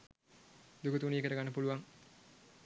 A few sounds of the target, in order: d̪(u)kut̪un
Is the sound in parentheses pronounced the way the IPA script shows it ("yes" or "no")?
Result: yes